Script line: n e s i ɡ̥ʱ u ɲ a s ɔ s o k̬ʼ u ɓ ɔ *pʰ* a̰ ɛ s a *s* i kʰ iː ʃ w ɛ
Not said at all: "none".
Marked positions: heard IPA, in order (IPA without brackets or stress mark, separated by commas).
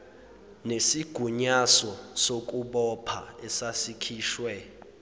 pʰ, s